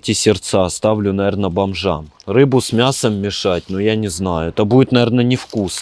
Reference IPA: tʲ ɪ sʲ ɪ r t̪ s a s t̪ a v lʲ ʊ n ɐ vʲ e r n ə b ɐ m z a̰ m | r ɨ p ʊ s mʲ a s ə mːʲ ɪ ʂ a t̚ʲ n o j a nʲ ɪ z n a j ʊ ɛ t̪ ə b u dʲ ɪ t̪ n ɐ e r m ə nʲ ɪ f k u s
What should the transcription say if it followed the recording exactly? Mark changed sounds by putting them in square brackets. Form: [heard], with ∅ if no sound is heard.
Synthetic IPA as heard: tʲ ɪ sʲ ɪ r t̪ s a s t̪ a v lʲ ʊ n ɐ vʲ e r n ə b ɐ m [ʐ] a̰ m | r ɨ [b] ʊ s mʲ a s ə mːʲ ɪ ʂ a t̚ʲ n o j a nʲ ɪ z n a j ʊ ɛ t̪ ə b u dʲ ɪ t̪ n ɐ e r [n] ə nʲ ɪ f k u s

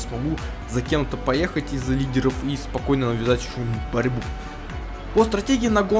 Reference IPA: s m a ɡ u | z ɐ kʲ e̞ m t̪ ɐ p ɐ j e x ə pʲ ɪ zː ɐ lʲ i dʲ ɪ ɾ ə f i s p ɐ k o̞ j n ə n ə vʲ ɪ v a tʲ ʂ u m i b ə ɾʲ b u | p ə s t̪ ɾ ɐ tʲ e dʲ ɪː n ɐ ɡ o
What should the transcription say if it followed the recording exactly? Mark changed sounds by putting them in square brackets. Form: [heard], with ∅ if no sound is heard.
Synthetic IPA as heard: s m [ɐ] ɡ u | z ɐ kʲ e̞ m t̪ [ə] p ɐ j e x ə [tʲ] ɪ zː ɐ lʲ i dʲ ɪ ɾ ə f i s p ɐ k o̞ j n ə n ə vʲ ɪ [z] a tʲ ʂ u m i b [ɐ] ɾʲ b u | p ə s t̪ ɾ ɐ tʲ e [ɡʲ] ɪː n ɐ ɡ o

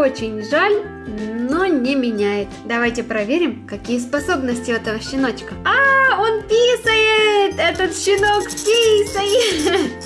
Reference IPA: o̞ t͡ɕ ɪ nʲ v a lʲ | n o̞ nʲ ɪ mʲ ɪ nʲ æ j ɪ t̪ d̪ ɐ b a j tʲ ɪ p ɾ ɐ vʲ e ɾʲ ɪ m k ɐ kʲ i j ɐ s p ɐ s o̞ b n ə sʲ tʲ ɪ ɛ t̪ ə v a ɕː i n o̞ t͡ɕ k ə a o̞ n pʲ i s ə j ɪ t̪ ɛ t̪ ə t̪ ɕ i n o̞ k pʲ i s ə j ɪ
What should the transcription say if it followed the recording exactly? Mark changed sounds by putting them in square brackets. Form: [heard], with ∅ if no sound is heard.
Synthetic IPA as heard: o̞ t͡ɕ ɪ nʲ [ʐ] a lʲ | n o̞ nʲ ɪ mʲ ɪ nʲ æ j ɪ t̪ d̪ ɐ [v] a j tʲ ɪ p ɾ ɐ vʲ e ɾʲ ɪ m k ɐ kʲ i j [ə] s p ɐ s o̞ b n ə sʲ tʲ ɪ ɛ t̪ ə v [ə] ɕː [ɪ] n o̞ t͡ɕ k ə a o̞ n pʲ i s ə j ɪ t̪ ɛ t̪ ə t̪ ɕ [ɪ] n o̞ k pʲ i s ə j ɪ

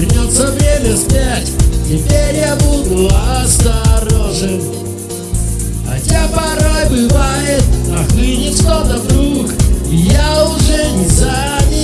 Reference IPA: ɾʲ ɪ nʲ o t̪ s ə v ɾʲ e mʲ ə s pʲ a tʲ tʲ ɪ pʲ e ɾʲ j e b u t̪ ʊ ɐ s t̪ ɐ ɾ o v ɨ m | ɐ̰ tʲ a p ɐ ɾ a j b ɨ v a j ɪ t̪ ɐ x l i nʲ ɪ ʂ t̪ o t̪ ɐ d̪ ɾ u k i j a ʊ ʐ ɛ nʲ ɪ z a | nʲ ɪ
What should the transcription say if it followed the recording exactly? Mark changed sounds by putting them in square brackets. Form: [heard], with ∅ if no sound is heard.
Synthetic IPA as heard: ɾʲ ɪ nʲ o t̪ s ə v ɾʲ e mʲ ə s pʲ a tʲ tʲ ɪ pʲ e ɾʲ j [a] b u [d̪] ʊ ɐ s t̪ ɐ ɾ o [ʐ] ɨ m | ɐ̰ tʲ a p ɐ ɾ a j b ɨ v a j ɪ t̪ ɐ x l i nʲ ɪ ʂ t̪ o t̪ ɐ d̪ ɾ u k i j a ʊ ʐ ɛ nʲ ɪ z a | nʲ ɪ

